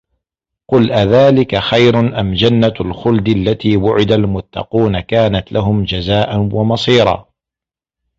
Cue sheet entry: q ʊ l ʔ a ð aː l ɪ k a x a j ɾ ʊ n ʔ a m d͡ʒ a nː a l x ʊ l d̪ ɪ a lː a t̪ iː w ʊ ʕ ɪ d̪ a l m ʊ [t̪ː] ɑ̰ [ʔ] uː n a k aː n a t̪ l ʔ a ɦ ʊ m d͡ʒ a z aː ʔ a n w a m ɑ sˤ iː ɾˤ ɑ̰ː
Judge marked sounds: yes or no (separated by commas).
yes, no